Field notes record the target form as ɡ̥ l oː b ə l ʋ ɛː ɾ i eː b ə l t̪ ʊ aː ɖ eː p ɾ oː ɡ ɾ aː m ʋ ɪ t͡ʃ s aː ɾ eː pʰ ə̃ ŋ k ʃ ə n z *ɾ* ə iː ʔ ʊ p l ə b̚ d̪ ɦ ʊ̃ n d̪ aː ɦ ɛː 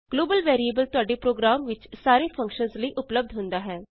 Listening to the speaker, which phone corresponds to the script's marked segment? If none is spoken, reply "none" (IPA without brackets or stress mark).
l